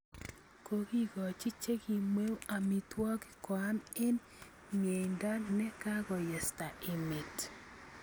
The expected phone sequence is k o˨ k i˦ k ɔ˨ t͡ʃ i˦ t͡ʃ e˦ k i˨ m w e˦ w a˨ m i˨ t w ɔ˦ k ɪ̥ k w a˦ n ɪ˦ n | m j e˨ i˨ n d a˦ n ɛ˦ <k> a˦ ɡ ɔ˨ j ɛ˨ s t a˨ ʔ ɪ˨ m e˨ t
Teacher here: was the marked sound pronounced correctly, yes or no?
yes